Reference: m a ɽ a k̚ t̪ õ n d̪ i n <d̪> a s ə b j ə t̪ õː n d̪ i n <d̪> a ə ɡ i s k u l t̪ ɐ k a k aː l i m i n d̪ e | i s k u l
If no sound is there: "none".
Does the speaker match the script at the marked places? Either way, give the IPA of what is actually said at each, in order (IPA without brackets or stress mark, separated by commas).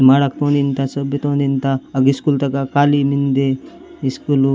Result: t̪, t̪